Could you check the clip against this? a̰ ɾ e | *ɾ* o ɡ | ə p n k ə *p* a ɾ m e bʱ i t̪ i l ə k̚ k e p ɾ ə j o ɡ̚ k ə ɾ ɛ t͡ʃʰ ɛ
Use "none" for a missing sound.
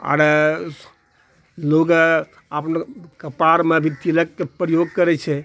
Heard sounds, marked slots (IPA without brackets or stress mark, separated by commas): l, p